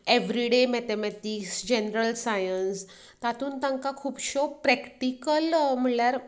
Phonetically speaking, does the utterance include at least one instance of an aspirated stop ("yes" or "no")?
yes